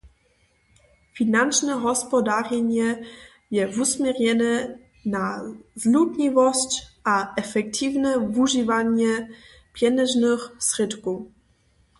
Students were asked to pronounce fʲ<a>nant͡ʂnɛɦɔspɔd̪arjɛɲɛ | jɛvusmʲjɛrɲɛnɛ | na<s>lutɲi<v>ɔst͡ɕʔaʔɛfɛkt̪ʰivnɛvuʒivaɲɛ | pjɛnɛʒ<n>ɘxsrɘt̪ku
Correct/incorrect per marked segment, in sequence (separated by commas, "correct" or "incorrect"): incorrect, incorrect, correct, correct